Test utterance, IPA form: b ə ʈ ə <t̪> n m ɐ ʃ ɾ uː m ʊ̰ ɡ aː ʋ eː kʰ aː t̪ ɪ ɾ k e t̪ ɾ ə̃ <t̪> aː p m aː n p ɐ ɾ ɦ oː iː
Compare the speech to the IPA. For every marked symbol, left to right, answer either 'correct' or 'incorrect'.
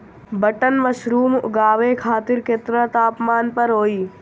incorrect: none, correct

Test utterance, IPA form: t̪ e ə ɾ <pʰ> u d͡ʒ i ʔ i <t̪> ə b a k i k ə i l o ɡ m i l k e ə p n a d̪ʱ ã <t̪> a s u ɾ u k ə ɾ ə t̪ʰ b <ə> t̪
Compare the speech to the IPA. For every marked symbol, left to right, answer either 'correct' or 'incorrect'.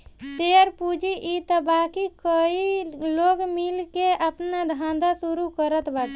incorrect: p, correct, incorrect: d̪, incorrect: a

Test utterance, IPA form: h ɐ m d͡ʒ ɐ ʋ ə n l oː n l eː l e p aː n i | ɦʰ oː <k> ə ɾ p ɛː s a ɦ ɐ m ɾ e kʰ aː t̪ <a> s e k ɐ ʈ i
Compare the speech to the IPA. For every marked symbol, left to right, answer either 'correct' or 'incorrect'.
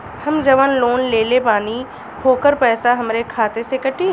correct, incorrect: e

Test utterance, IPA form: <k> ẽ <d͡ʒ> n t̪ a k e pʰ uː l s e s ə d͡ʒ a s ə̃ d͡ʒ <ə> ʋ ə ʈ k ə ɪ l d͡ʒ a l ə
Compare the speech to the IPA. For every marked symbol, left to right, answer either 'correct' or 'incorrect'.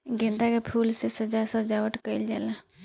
incorrect: ɡ, incorrect: none, incorrect: a

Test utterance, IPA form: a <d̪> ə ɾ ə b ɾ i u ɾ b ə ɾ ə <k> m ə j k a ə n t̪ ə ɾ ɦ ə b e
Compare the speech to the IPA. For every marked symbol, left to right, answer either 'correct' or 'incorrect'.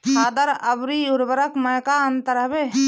correct, correct

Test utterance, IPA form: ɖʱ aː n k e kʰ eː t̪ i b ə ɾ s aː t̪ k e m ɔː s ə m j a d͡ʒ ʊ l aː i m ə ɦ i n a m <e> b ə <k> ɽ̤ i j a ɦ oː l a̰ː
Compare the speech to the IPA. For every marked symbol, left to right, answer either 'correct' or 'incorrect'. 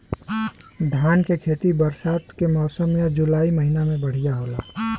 incorrect: ẽ, incorrect: none

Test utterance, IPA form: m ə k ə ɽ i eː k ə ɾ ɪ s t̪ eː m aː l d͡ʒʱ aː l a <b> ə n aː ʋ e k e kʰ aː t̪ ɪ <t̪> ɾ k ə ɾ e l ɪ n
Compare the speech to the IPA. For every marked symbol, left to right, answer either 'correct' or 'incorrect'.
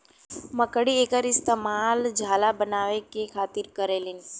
correct, incorrect: none

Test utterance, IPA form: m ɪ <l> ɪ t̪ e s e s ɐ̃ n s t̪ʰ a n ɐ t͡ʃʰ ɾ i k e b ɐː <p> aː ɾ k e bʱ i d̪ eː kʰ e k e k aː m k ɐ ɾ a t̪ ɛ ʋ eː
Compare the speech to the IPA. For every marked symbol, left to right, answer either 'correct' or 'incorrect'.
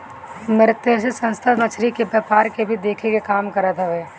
incorrect: ɾ, correct

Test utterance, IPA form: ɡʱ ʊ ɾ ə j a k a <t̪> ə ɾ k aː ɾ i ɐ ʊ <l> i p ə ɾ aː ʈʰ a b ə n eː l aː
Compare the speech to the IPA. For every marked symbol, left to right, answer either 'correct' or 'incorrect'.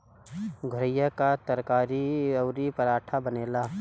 correct, incorrect: ɾ

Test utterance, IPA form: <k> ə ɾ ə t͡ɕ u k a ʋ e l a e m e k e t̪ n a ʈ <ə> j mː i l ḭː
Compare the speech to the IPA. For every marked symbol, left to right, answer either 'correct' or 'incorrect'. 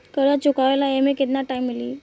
correct, incorrect: a

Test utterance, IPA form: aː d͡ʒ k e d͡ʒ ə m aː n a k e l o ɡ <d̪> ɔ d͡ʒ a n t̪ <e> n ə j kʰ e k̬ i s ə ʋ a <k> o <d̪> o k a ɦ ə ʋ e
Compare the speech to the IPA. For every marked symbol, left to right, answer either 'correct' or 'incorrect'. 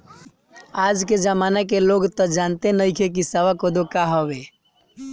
incorrect: t̪, correct, correct, correct

